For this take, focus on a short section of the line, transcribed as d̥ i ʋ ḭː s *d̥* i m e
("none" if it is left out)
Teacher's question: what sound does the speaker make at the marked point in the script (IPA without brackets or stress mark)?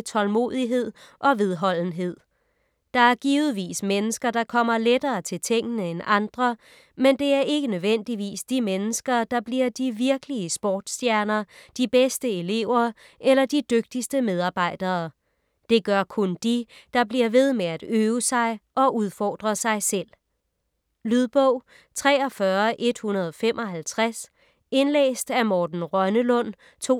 d̥